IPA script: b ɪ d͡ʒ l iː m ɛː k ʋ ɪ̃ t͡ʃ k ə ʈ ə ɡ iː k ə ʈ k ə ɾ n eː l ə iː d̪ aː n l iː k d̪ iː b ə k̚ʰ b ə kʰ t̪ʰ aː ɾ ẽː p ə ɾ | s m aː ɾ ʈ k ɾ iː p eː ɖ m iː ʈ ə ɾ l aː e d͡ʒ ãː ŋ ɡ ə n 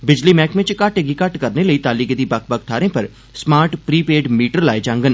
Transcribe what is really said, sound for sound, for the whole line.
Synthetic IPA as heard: b ɪ d͡ʒ l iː m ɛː k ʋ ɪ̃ t͡ʃ k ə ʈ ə ɡ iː k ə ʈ k ə ɾ n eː l ə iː t̪ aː l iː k d̪ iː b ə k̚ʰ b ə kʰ t̪ʰ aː ɾ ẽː p ə ɾ | s m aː ɾ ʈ p ɾ iː p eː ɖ m iː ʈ ə ɾ l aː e d͡ʒ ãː ŋ ɡ ə n